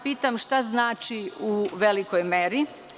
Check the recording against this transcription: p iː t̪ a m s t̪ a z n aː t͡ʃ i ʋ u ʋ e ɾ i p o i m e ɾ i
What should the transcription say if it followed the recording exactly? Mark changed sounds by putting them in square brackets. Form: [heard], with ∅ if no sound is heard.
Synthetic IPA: p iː t̪ a m [ʃ] t̪ a z n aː t͡ʃ i [∅] u ʋ e [l] i [k] o [j] m e ɾ i